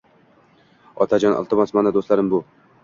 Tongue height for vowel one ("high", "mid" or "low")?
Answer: low